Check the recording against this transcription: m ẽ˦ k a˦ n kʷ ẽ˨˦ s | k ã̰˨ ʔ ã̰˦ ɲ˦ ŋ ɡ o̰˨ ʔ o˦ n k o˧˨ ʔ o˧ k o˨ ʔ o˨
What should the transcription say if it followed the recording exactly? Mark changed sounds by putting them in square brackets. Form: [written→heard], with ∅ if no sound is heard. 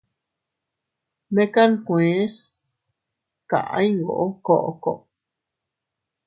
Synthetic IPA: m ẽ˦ k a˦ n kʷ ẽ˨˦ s | k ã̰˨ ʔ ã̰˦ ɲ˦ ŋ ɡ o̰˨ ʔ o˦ [n→∅] k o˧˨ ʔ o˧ k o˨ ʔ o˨